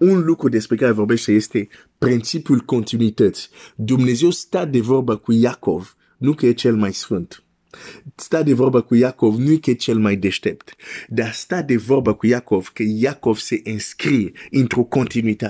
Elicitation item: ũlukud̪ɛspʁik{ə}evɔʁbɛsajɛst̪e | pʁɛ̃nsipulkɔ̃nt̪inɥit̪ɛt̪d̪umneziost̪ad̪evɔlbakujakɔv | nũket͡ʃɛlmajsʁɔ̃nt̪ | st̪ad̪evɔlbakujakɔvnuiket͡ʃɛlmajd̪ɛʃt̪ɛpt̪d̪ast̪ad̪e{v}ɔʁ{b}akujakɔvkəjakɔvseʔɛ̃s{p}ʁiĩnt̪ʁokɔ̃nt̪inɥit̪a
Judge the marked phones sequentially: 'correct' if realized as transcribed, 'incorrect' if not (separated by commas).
incorrect, correct, correct, incorrect